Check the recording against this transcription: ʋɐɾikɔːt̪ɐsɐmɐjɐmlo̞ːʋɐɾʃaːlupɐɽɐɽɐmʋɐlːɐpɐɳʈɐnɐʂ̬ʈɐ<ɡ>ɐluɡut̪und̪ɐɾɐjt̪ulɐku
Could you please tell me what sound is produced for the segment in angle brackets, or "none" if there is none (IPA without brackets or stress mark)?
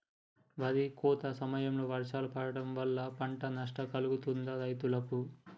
k